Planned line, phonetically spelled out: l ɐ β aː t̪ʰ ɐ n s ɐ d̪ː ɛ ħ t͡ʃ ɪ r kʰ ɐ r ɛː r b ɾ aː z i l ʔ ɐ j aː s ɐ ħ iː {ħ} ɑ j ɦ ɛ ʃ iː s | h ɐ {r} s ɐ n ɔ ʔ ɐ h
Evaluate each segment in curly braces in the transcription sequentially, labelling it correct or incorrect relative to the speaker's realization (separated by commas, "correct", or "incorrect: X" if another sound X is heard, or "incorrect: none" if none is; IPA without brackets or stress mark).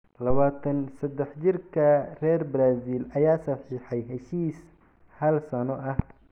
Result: correct, incorrect: l